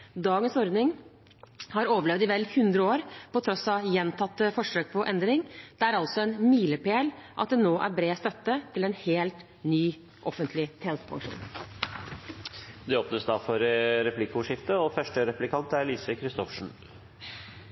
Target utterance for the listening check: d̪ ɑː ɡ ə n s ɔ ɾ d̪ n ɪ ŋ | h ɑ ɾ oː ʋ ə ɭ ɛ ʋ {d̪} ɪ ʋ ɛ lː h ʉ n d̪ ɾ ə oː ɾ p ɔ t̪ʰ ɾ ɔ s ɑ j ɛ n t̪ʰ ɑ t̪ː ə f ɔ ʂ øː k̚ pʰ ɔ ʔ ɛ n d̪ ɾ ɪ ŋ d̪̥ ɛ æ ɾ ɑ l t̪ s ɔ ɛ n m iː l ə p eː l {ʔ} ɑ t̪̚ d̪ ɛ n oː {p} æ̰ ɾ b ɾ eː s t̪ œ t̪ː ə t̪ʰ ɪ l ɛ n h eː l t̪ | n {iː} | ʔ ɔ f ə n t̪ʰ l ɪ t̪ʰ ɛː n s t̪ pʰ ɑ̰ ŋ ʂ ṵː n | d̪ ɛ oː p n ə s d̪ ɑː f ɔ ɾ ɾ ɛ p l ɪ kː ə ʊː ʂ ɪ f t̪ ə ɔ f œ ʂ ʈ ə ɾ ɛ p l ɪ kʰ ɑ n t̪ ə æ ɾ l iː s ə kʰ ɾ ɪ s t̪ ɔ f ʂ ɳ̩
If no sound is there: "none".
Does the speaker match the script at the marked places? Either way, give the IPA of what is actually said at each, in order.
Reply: d̪, ʔ, ʔ, yː

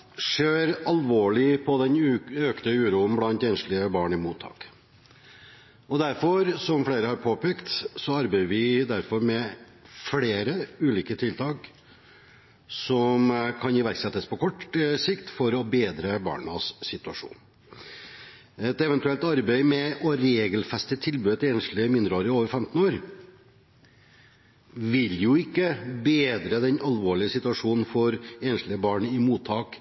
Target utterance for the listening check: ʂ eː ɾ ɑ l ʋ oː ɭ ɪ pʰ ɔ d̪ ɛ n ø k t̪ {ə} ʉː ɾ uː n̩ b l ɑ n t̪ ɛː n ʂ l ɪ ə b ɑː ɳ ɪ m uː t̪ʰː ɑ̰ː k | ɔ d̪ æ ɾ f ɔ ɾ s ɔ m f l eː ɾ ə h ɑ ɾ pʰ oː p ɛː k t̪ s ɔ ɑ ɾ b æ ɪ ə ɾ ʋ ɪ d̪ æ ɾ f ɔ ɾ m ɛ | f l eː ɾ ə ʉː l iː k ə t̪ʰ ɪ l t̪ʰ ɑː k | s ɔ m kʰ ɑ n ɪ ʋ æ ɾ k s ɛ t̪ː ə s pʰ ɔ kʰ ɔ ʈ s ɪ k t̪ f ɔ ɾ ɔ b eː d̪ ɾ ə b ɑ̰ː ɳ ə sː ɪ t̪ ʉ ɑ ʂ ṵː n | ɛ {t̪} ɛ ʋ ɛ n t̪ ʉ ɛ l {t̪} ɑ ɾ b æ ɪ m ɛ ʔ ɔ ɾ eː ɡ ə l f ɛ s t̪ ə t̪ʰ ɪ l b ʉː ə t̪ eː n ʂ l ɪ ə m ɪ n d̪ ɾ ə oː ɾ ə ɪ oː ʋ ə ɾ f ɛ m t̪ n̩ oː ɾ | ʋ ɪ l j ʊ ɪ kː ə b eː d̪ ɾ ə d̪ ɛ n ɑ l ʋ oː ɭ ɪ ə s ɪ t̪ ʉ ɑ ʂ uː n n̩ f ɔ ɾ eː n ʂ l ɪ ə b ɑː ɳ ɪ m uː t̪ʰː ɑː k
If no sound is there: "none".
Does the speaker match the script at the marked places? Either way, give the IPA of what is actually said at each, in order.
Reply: ə, t̪, t̪

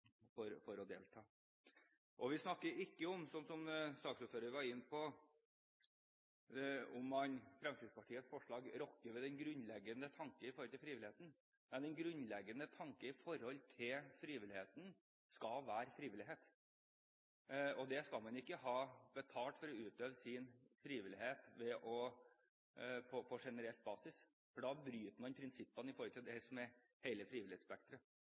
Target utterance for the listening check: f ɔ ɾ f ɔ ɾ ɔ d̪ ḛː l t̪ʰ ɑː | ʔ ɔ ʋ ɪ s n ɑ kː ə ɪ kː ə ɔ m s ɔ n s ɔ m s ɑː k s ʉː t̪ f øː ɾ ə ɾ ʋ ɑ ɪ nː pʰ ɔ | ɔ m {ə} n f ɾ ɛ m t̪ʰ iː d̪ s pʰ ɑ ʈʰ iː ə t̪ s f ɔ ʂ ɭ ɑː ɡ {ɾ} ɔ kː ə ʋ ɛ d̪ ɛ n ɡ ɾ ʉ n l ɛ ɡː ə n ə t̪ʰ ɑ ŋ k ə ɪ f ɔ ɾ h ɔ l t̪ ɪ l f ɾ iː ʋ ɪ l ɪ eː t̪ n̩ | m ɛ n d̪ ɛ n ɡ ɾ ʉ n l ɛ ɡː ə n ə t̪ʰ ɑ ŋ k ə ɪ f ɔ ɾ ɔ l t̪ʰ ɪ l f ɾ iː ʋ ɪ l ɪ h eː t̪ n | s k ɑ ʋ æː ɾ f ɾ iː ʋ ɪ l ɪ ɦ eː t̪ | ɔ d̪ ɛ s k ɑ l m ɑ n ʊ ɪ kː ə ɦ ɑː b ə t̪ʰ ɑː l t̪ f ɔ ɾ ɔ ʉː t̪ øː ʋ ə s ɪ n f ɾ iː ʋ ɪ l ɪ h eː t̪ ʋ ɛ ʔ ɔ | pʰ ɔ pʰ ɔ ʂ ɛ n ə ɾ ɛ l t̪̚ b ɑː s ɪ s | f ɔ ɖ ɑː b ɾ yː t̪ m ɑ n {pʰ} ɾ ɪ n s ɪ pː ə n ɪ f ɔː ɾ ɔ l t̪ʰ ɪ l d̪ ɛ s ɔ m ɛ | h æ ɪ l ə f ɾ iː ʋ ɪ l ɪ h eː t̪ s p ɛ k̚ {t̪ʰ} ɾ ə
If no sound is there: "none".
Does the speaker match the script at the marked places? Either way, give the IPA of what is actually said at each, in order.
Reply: ɑ, ɾ, pʰ, t̪

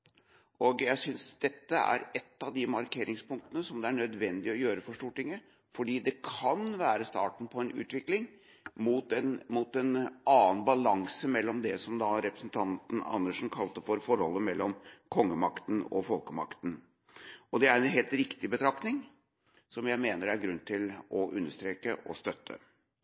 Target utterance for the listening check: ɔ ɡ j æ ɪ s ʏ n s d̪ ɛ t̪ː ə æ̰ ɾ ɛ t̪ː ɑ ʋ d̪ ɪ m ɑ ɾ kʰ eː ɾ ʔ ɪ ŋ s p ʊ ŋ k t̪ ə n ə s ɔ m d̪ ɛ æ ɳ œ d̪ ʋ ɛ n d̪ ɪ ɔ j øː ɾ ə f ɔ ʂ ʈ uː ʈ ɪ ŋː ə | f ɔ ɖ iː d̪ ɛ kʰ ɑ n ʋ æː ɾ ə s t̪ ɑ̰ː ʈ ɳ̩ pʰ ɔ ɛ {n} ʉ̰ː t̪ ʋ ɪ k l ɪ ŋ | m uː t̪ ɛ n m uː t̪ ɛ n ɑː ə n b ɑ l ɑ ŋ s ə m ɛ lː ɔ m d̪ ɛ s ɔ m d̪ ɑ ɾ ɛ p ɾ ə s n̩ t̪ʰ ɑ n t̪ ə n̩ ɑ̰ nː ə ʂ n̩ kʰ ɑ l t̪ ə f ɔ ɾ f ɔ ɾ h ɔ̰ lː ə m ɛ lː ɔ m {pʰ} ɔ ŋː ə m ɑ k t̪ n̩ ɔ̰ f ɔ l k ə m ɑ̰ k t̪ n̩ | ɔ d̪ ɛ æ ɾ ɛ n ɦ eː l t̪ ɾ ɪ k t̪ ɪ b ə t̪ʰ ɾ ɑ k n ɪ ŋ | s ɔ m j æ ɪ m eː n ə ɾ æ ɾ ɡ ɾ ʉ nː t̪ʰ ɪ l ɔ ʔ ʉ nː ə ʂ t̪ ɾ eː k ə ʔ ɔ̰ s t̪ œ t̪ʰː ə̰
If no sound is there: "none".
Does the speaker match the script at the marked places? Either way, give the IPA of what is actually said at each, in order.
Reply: n, kʰ

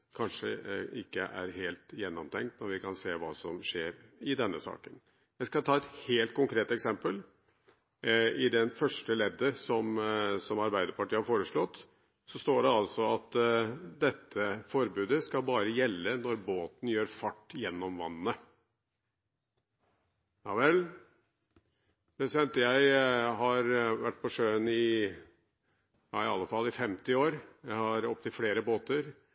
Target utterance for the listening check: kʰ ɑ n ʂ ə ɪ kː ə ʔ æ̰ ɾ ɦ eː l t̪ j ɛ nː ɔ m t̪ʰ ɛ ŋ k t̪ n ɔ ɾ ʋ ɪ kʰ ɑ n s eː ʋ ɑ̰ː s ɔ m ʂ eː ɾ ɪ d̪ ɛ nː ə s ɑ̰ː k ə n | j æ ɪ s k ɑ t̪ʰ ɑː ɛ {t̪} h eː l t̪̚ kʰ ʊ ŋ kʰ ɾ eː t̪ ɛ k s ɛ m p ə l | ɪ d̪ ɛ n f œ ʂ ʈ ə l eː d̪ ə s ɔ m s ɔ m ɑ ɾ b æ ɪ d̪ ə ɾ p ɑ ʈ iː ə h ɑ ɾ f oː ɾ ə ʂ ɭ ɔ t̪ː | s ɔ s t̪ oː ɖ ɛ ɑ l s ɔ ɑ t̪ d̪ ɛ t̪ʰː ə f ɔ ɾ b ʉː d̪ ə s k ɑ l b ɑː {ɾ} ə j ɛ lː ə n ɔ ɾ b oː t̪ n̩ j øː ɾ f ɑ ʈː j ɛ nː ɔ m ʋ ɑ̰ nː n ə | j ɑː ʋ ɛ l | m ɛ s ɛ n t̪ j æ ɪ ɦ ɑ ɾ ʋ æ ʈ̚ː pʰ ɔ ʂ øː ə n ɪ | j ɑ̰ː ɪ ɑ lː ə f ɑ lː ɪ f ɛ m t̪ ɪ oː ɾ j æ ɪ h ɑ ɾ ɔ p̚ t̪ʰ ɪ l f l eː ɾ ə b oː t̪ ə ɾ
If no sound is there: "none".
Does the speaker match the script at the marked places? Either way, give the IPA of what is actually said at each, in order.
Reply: t̪, ɾ

